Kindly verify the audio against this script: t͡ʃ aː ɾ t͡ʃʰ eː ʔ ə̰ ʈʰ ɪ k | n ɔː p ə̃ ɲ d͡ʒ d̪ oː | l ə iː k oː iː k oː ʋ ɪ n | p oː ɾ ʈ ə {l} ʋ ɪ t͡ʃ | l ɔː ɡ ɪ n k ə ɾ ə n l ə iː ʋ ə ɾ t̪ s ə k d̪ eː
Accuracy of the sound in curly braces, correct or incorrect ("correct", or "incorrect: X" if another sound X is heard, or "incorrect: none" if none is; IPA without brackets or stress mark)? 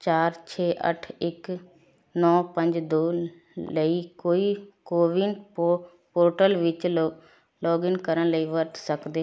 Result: correct